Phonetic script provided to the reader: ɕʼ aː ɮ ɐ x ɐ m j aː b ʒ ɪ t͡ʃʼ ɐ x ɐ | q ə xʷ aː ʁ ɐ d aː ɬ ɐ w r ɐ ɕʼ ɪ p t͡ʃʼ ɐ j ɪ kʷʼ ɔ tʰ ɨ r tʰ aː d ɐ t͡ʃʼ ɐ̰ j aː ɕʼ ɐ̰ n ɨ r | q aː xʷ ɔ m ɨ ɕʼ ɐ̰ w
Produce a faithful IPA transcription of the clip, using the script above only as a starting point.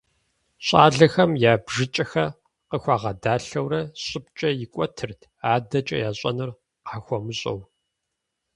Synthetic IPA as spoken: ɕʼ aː ɮ ɐ x ɐ m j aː b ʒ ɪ t͡ʃʼ ɐ x ɐ | q ə xʷ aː ʁ ɐ d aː ɬ ɐ w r ɐ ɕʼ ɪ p t͡ʃʼ ɐ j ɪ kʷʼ ɔ tʰ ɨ r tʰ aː d ɐ t͡ʃʼ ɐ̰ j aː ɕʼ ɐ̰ n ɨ r | q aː xʷ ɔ m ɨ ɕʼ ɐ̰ w